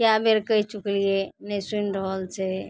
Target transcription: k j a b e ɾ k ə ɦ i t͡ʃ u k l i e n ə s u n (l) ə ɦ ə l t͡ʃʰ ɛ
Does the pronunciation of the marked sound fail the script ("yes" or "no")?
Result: yes